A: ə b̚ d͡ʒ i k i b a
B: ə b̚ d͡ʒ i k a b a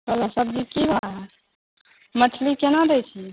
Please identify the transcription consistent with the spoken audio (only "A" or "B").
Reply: A